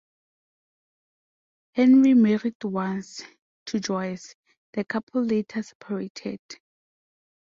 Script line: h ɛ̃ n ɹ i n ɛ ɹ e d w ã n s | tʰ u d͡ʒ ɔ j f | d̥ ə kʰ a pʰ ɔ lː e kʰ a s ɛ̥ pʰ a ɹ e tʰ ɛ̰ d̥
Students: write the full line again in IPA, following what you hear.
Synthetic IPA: h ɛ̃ n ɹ i m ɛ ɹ i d w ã n s | tʰ u d͡ʒ ɔ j s | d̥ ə kʰ a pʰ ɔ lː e tʰ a s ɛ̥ pʰ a ɹ e tʰ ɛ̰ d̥